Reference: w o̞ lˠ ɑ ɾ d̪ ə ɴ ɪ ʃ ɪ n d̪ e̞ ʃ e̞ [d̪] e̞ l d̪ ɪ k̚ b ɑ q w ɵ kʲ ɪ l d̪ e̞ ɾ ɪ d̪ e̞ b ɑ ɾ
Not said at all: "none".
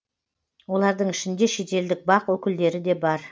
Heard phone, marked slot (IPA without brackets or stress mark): t̪